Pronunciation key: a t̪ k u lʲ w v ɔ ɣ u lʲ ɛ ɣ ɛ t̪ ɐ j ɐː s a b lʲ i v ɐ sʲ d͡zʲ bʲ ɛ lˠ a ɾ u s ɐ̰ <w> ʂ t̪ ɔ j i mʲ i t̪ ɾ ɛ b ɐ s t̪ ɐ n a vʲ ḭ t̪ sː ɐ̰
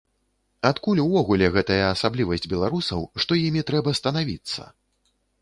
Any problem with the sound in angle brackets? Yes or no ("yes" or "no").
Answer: no